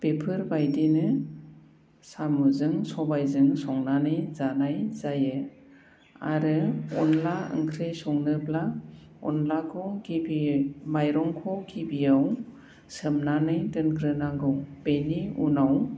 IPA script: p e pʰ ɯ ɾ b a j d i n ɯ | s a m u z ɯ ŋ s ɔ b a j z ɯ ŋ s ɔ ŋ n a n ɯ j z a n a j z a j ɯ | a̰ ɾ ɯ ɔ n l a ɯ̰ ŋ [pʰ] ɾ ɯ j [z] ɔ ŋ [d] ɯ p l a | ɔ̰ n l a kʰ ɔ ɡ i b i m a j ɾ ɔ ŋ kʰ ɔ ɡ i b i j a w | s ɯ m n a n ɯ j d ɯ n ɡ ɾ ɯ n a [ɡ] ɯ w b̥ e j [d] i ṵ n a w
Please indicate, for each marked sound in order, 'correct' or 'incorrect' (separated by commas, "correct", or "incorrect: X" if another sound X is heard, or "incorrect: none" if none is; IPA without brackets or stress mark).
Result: incorrect: kʰ, incorrect: s, incorrect: n, correct, incorrect: n